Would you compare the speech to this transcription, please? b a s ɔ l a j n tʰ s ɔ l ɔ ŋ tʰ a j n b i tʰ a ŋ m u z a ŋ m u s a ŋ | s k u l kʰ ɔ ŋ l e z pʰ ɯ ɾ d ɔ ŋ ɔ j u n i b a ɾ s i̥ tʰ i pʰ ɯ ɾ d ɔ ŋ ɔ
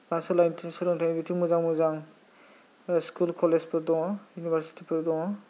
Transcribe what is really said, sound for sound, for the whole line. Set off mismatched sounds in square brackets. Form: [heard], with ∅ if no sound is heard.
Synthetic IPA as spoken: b a s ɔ l a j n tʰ s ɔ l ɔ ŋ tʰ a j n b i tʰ [i] ŋ m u z a ŋ m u [z] a ŋ | s k u l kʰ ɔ [∅] l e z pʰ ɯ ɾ d ɔ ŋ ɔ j u n i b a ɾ s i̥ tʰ i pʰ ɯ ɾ d ɔ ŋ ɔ